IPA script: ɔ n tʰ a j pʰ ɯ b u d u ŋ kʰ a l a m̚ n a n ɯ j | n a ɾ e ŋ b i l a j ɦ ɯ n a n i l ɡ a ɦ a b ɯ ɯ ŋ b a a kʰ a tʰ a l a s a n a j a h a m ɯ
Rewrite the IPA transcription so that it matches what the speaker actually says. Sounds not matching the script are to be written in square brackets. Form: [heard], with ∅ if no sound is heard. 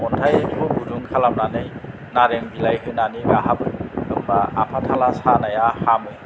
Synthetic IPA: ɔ n tʰ a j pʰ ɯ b u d u ŋ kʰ a l a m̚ n a n ɯ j | n a ɾ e ŋ b i l a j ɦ ɯ n a n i [∅] ɡ a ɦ a b ɯ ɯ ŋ b a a [pʰ] a tʰ a l a s a n a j a h a m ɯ